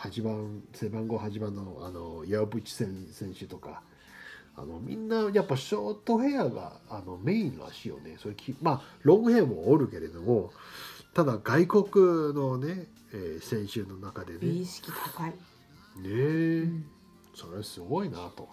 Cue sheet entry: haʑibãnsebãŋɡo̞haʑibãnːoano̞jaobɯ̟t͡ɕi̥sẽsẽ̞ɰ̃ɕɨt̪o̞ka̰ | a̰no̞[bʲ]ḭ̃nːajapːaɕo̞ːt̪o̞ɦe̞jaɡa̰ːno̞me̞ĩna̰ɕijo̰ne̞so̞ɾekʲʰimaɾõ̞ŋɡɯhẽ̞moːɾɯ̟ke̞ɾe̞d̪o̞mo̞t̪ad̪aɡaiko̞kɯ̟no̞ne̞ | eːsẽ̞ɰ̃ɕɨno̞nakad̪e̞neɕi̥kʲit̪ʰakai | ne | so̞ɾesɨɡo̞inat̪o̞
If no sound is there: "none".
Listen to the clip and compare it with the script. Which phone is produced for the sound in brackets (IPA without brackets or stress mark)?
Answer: mʲ